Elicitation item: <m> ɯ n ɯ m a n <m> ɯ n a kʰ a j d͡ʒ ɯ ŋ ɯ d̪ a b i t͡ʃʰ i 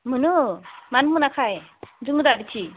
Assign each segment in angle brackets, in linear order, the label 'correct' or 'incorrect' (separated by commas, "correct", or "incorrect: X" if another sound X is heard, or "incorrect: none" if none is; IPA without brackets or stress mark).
correct, correct